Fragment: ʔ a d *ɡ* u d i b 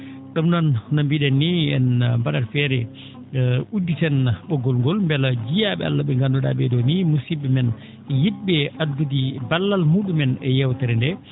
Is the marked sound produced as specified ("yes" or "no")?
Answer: yes